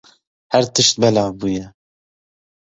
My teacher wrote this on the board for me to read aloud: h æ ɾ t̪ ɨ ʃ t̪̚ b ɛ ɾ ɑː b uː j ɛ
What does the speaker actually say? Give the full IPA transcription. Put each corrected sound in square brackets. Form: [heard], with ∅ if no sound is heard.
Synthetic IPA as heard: h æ ɾ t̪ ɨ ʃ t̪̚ b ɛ [l] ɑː b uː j ɛ